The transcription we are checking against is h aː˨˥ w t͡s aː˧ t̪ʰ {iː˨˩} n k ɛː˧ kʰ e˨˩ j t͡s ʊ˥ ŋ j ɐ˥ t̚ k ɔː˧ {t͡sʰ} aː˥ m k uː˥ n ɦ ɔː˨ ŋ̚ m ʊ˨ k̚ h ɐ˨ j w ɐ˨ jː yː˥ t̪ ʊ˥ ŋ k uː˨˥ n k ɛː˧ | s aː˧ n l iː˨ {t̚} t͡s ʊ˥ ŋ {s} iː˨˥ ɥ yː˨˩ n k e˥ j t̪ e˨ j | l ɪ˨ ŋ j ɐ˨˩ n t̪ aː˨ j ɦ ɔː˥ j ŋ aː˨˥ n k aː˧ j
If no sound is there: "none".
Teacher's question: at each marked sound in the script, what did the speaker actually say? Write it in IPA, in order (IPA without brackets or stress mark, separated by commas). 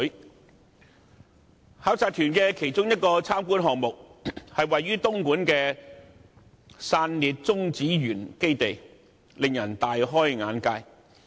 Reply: yː˨˩, t͡sʰ, t̚, t͡s